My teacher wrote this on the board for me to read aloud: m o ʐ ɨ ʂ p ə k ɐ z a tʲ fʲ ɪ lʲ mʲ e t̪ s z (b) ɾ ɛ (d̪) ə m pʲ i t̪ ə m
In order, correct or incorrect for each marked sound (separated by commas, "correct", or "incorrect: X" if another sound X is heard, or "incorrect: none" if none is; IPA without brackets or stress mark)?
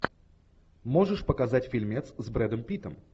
correct, correct